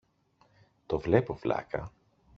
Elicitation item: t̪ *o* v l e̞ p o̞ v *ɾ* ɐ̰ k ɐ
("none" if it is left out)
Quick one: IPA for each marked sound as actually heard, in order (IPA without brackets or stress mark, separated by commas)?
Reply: o, l